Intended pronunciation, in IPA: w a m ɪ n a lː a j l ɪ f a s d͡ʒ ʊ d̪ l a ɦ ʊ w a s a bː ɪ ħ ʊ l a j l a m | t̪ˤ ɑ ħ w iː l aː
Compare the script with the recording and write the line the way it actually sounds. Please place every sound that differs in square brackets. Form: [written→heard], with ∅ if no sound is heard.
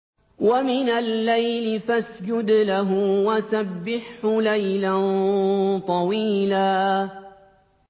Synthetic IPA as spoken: w a m ɪ n a lː a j l ɪ f a s d͡ʒ ʊ d̪ l a ɦ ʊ w a s a bː ɪ ħ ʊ l a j l a [m→n] | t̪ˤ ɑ [ħ→∅] w iː l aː